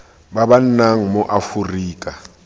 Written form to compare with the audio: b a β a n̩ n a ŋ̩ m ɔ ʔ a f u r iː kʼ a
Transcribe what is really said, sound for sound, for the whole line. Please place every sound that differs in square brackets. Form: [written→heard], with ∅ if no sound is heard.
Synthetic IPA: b a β a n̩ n a ŋ̩ m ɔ ʔ a f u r iː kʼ a

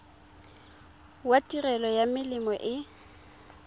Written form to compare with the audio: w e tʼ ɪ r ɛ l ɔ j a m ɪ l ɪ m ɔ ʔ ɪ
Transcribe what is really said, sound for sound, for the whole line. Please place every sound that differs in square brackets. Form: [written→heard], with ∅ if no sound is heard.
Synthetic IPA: w [e→a] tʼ [ɪ→i] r ɛ l ɔ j a m ɪ l ɪ m ɔ ʔ ɪ

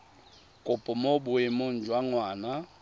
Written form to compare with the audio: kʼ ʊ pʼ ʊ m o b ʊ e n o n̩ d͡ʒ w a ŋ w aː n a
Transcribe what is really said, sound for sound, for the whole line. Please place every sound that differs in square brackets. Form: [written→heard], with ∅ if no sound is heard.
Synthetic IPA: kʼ ʊ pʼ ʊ m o b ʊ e [n→m] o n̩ d͡ʒ w a ŋ w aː n a

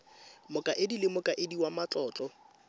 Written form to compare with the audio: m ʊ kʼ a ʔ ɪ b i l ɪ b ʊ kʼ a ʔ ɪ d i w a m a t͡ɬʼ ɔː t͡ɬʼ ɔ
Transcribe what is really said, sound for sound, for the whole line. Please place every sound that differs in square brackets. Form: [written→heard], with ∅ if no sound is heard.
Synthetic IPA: m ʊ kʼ a ʔ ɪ [b→d] i l ɪ [b→m] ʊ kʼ a ʔ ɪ d i w a m a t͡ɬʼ ɔː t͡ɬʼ ɔ

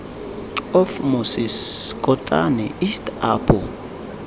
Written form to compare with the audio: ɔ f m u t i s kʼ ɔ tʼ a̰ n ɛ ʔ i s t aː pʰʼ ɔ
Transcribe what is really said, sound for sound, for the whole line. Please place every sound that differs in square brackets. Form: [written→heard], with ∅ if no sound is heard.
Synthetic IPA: ɔ f m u [t→s] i s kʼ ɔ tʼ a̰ n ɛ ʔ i s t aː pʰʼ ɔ

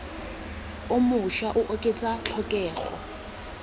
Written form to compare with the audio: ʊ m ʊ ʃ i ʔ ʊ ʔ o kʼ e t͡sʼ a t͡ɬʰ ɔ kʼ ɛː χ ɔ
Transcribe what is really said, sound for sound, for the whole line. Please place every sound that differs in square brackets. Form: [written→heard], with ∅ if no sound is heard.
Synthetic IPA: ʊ m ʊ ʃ [i→a] ʔ ʊ ʔ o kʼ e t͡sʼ a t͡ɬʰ ɔ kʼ ɛː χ ɔ

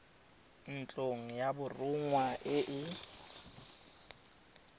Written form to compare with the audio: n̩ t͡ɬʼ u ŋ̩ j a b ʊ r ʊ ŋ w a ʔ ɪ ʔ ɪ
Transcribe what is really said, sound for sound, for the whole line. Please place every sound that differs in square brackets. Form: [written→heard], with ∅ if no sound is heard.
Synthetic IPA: n̩ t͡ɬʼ [u→o] ŋ̩ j a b ʊ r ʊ ŋ w a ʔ ɪ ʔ ɪ

